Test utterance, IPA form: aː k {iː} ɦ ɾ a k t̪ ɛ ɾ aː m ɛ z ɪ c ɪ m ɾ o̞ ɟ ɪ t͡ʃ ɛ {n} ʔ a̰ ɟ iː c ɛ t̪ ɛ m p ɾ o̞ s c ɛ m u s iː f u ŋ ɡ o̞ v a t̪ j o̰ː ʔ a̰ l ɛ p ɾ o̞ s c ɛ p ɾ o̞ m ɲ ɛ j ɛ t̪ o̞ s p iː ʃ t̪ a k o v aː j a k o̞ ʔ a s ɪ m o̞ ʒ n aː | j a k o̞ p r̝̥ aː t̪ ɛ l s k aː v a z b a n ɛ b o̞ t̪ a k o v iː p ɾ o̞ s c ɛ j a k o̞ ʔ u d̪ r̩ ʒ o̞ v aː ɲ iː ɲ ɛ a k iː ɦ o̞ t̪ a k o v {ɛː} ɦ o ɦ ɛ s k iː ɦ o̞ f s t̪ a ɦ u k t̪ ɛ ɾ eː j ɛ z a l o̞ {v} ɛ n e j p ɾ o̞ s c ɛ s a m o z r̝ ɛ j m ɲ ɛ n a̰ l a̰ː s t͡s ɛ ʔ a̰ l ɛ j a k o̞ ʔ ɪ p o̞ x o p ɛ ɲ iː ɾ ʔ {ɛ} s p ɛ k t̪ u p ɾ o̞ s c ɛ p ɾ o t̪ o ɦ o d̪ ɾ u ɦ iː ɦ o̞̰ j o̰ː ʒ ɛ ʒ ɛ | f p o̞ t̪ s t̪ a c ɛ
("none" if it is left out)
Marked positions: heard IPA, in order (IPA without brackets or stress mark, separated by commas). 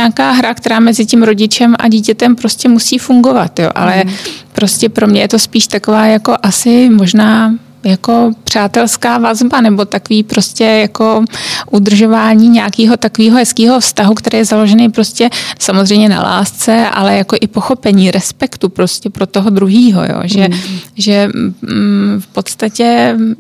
aː, m, iː, ʒ, ɛ